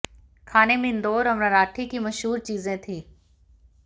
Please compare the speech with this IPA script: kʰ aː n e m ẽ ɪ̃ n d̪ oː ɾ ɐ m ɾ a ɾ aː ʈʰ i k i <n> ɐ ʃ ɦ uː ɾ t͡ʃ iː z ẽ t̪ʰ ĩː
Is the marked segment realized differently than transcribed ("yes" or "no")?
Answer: yes